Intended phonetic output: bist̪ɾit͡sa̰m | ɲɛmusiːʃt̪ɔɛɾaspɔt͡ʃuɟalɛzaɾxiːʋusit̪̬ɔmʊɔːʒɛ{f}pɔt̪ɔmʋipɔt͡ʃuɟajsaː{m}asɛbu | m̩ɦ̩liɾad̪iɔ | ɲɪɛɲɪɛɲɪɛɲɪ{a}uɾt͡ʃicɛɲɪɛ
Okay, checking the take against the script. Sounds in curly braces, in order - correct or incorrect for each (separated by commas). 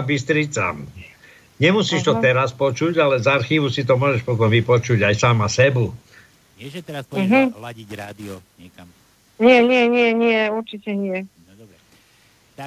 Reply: incorrect, correct, incorrect